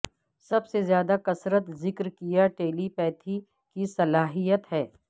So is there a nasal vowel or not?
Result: no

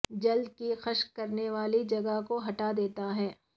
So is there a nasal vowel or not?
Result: no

